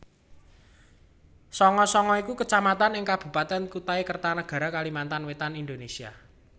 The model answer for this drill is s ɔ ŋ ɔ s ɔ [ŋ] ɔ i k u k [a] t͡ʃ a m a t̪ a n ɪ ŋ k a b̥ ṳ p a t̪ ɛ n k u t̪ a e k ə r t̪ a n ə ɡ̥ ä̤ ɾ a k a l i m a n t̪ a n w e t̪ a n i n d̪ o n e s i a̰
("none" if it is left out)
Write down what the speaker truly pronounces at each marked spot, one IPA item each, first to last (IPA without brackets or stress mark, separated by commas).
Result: ŋ, ə